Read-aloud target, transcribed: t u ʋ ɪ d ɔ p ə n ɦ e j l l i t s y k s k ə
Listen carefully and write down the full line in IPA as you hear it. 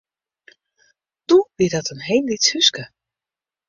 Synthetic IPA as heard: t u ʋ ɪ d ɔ t ə n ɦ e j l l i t h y s k ə